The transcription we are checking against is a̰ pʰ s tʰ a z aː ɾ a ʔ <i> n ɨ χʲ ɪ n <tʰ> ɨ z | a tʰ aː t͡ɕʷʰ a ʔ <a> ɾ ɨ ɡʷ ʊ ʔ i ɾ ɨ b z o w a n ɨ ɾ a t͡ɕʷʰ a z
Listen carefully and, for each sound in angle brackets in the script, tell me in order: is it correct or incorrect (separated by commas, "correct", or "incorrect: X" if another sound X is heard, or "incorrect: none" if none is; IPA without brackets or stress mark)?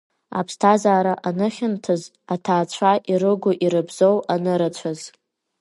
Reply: incorrect: a, correct, incorrect: i